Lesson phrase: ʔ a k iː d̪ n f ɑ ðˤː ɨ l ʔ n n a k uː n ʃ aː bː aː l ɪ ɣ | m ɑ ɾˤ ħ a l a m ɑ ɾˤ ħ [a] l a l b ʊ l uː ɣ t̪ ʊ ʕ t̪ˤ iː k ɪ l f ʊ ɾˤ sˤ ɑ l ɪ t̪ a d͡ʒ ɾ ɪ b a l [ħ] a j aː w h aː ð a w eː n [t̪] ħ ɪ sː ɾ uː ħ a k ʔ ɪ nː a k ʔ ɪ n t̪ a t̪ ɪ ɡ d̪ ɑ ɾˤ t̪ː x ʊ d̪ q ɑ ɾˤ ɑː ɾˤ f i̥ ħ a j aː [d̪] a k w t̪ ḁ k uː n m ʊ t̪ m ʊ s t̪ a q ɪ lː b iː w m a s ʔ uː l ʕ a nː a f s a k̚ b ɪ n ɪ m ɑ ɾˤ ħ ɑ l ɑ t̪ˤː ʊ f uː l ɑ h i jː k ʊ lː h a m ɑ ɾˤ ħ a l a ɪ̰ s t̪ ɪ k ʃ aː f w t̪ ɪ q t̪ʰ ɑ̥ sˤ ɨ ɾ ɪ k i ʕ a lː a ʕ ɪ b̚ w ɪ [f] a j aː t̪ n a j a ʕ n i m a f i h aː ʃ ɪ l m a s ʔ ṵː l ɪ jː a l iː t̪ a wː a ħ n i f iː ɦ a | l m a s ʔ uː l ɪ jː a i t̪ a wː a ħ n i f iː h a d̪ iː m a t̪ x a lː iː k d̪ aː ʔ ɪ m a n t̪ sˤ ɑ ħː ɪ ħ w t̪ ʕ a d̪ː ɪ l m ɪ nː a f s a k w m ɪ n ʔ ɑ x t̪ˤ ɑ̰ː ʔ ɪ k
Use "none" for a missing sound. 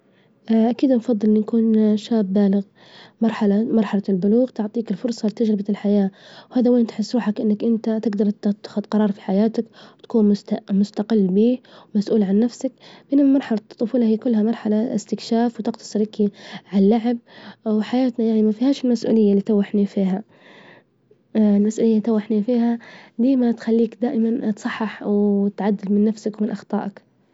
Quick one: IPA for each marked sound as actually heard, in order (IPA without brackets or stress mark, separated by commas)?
ɑ, ħ, t̪, t̪, ħ